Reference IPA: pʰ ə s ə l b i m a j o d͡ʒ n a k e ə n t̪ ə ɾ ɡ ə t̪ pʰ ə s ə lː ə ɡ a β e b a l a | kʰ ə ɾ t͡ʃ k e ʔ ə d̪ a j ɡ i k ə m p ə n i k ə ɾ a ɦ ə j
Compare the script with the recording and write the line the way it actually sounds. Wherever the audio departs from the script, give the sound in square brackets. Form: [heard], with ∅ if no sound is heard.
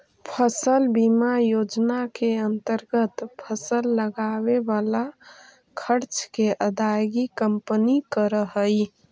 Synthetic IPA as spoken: pʰ ə s ə l b i m a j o d͡ʒ n a k e ə n t̪ ə ɾ ɡ ə t̪ pʰ ə s ə lː ə ɡ a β e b a l a | kʰ ə ɾ t͡ʃ k e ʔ ə d̪ a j ɡ i k ə m p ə n i k ə ɾ [ə] ɦ ə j